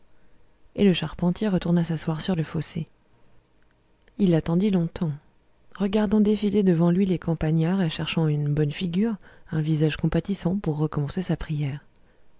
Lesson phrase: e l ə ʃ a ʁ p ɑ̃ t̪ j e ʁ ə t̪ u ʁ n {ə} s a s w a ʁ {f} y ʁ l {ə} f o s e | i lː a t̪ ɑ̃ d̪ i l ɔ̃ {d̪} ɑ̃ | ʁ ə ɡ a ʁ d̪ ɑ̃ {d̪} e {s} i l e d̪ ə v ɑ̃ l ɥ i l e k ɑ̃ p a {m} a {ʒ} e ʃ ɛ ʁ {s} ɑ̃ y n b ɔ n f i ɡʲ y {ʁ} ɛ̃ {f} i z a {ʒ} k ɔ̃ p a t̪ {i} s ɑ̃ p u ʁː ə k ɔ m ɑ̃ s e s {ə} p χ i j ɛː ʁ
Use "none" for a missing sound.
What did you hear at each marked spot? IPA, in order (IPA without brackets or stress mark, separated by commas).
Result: a, s, ə, t̪, d̪, f, ɲ, ʁ, ʃ, ʁ, v, ʒ, i, a